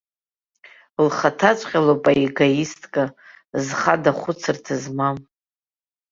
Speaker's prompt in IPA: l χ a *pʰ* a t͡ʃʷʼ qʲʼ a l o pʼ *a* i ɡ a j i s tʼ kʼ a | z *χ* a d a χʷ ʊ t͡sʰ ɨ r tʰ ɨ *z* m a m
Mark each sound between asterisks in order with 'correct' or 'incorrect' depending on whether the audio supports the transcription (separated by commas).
incorrect, correct, correct, correct